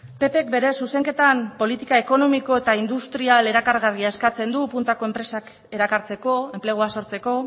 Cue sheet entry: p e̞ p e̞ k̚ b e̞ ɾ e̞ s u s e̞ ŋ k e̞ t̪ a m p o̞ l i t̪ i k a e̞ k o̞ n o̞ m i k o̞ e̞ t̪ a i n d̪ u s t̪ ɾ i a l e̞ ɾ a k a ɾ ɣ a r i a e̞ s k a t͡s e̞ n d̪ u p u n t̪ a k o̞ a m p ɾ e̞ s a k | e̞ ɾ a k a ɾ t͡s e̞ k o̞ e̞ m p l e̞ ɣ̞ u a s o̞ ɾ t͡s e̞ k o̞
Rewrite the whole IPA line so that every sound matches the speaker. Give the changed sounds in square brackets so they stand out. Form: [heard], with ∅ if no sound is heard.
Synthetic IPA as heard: p e̞ p e̞ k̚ b e̞ ɾ e̞ s u s e̞ ŋ k e̞ t̪ a m p o̞ l i t̪ i k a e̞ k o̞ n o̞ m i k o̞ e̞ t̪ a i n d̪ u s t̪ ɾ i a l e̞ ɾ a k a ɾ ɣ a r i a e̞ s k a t͡s e̞ n d̪ u p u n t̪ a k o̞ [e] m p ɾ e̞ s a k | e̞ ɾ a k a ɾ t͡s e̞ k o̞ e̞ m p l e̞ ɣ̞ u a s o̞ ɾ t͡s e̞ k o̞

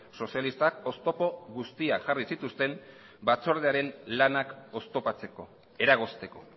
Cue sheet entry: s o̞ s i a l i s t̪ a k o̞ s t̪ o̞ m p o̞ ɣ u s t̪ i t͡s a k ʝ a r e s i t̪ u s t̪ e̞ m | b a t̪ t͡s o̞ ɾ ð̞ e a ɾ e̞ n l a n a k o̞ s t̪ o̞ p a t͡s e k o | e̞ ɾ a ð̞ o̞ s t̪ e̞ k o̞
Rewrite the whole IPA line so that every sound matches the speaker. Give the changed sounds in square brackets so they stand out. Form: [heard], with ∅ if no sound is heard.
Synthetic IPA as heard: s o̞ s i a l i s t̪ a k o̞ s t̪ o̞ [∅] p o̞ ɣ u s t̪ i [∅] a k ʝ a r [i] s i t̪ u s t̪ e̞ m | b a [∅] t͡s o̞ ɾ ð̞ e a ɾ e̞ n l a n a k o̞ s t̪ o̞ p a t͡s e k o | e̞ ɾ a [ɣ̞] o̞ s t̪ e̞ k o̞

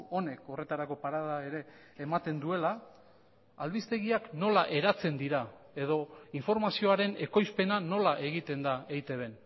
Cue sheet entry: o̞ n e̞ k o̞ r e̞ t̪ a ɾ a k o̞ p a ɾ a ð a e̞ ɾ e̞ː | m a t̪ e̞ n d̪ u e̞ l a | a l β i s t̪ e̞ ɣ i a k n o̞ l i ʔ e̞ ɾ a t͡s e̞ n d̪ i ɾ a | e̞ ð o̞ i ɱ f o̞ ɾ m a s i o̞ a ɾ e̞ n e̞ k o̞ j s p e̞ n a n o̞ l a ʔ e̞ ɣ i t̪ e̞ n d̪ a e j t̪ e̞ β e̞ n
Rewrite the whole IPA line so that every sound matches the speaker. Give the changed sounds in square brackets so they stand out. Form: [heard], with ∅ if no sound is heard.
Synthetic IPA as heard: o̞ n e̞ k o̞ r e̞ t̪ a ɾ a k o̞ p a ɾ a ð a e̞ ɾ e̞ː | m a t̪ e̞ n d̪ u e̞ l a | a l β i s t̪ e̞ ɣ i a k n o̞ l [a] ʔ e̞ ɾ a t͡s e̞ n d̪ i ɾ a | e̞ ð o̞ i ɱ f o̞ ɾ m a s i o̞ a ɾ e̞ n e̞ k o̞ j s p e̞ n a n o̞ l a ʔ e̞ ɣ i t̪ e̞ n d̪ a e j t̪ e̞ β e̞ n

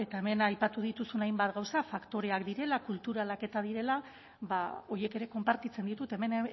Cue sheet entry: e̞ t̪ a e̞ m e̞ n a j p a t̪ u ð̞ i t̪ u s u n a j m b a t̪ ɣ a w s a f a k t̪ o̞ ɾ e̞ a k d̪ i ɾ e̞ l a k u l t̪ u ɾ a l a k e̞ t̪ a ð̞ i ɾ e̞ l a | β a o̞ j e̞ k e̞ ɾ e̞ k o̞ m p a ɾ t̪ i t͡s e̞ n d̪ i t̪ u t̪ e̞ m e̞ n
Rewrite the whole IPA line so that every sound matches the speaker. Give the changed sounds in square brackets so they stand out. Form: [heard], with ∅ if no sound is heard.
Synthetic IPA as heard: e̞ t̪ a e̞ m e̞ n a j p a t̪ u ð̞ i t̪ u s u n a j m b a t̪ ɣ a w s a f a k t̪ o̞ ɾ e̞ a k d̪ i ɾ e̞ l a k u l t̪ u ɾ a l a k e̞ t̪ a ð̞ i ɾ e̞ l a | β a o̞ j e̞ k e̞ ɾ e̞ k o̞ m p a ɾ t̪ i t͡s e̞ n d̪ i t̪ u t̪ e̞ m e̞ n

